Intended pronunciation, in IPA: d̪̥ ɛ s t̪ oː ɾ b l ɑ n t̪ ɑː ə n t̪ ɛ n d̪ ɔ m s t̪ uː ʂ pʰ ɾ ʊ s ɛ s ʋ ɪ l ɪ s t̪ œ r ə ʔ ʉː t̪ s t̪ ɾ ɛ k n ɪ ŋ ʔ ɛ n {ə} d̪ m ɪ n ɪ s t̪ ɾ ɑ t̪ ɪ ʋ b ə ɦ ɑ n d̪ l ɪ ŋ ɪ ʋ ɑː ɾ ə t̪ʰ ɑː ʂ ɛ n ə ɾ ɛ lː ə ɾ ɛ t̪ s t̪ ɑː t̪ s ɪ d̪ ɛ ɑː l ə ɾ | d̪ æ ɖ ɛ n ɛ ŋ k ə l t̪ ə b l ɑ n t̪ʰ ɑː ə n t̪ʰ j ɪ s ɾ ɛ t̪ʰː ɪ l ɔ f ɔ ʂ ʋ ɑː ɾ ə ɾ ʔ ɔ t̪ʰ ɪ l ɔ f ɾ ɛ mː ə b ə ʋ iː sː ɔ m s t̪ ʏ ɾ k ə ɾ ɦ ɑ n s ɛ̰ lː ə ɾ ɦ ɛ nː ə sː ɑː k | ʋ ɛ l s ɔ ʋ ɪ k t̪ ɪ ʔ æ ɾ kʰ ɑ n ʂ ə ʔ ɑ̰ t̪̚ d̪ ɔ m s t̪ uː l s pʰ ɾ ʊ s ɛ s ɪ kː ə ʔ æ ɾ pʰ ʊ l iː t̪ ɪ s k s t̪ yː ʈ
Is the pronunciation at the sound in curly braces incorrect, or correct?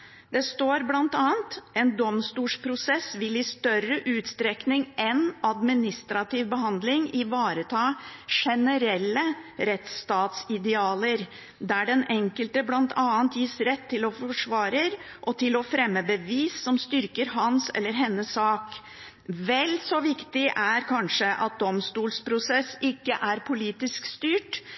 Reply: incorrect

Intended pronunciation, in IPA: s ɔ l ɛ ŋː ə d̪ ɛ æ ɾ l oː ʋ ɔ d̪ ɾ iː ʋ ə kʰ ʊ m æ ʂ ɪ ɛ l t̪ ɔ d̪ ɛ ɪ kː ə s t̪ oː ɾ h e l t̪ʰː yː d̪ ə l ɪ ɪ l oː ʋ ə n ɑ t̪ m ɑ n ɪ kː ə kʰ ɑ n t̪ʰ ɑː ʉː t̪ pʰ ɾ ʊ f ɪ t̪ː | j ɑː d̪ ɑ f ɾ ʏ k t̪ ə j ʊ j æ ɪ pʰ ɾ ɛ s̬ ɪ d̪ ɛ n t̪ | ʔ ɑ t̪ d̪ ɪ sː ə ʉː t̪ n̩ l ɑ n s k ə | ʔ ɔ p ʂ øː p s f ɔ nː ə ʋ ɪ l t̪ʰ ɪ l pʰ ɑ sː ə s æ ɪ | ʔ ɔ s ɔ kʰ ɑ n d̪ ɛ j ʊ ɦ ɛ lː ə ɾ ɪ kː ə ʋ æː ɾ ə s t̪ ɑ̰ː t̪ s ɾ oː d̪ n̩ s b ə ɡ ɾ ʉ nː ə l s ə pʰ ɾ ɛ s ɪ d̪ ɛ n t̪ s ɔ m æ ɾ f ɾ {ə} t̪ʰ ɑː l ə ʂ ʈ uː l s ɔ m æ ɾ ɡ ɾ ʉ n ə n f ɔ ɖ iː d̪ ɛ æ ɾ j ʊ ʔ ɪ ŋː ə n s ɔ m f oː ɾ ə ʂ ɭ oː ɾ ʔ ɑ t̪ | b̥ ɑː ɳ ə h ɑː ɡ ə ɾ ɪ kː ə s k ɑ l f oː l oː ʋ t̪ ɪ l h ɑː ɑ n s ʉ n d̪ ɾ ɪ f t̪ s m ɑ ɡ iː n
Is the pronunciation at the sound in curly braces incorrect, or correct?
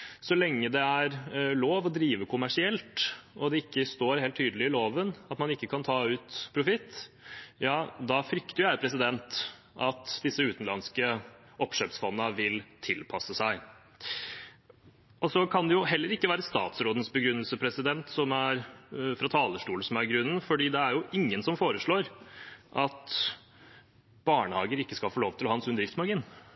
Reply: incorrect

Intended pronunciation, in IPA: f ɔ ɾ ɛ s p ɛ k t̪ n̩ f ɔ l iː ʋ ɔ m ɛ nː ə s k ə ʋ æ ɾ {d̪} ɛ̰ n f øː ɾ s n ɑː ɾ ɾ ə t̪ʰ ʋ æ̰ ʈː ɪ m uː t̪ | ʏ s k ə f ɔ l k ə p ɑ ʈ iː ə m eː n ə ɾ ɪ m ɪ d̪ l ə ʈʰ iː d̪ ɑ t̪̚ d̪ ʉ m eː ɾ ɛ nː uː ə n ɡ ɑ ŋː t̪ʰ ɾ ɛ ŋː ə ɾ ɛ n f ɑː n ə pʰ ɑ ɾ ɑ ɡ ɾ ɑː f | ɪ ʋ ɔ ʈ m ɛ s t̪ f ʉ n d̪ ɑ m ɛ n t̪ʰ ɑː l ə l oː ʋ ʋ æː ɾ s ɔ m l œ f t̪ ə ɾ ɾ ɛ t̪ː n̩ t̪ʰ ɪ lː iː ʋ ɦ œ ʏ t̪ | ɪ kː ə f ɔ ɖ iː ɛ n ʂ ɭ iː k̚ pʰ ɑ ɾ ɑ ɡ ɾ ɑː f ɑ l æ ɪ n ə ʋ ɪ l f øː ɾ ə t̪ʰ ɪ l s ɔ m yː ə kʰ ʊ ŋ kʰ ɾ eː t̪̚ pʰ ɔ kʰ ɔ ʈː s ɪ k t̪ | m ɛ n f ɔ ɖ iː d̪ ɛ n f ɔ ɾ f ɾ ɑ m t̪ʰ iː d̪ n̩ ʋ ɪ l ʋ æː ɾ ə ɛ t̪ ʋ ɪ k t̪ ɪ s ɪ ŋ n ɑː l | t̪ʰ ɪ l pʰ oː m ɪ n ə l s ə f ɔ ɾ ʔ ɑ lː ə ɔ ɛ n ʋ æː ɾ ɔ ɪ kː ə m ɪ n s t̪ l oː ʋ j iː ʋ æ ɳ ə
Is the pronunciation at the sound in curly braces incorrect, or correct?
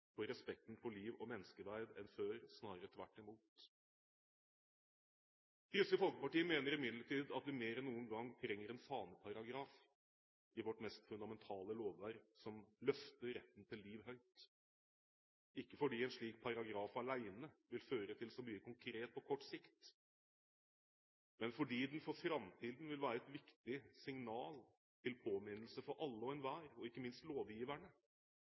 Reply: correct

